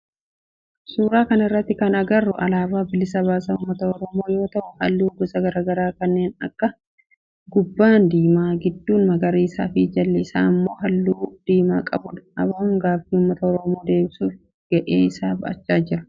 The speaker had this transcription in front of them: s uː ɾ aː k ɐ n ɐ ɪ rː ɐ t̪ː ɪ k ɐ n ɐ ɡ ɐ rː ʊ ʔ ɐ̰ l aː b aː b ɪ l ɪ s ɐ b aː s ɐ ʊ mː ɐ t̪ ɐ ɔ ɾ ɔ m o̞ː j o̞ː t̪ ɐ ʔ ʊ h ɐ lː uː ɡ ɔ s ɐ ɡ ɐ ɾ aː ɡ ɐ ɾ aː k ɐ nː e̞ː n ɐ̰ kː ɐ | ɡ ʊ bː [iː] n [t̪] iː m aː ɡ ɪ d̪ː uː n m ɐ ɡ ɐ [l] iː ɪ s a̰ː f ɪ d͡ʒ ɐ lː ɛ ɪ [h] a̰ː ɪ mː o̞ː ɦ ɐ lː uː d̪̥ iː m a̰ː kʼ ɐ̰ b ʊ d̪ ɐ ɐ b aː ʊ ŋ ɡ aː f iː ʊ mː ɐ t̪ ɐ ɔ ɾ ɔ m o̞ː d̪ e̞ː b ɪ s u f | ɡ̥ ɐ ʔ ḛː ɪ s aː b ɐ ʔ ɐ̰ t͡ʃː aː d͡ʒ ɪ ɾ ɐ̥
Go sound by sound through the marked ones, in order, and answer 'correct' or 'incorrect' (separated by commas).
incorrect, incorrect, incorrect, incorrect